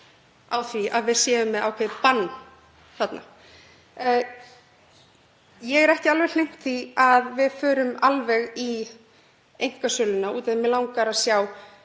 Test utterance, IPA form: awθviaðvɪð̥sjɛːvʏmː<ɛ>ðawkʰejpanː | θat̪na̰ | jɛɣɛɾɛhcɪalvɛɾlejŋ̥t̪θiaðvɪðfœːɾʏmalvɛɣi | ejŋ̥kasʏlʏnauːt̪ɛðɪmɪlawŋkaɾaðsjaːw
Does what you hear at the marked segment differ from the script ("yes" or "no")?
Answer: no